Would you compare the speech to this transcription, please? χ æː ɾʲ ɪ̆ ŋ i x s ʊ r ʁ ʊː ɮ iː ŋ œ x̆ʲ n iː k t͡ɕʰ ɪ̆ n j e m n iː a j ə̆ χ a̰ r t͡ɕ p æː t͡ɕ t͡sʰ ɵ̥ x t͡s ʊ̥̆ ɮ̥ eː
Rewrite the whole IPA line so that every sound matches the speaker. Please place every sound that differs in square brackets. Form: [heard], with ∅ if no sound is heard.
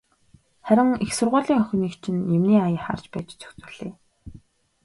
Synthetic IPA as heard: χ [æ] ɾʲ ɪ̆ ŋ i x s ʊ r ʁ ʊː ɮ iː ŋ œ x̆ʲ n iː k t͡ɕʰ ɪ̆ n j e m n iː a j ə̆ χ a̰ r t͡ɕ p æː t͡ɕ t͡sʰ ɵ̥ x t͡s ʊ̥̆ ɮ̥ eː